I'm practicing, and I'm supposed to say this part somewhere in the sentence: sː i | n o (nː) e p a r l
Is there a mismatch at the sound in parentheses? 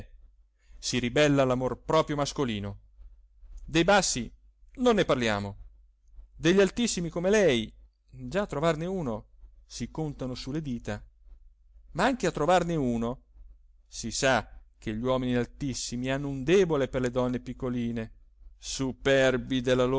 no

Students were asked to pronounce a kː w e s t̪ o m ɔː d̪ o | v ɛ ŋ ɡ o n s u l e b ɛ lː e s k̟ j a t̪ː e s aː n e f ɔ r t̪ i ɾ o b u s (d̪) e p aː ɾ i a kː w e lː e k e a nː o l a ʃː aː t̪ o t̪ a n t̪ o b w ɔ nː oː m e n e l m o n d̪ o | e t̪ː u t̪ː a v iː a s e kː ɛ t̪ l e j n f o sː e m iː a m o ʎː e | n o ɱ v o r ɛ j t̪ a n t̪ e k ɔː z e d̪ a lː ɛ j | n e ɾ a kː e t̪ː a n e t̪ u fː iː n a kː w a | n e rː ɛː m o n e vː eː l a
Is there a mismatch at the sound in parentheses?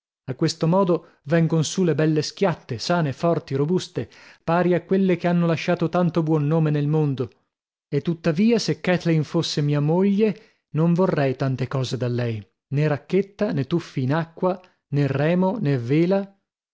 yes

